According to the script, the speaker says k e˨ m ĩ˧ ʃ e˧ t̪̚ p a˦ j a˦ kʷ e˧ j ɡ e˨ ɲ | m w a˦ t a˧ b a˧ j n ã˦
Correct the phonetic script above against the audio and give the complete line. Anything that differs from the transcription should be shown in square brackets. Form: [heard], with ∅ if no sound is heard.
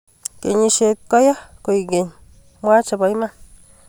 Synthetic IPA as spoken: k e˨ [ɲ] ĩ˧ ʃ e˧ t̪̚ [k] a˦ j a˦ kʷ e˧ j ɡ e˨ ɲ | m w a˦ [t͡ʃ] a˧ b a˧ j [m] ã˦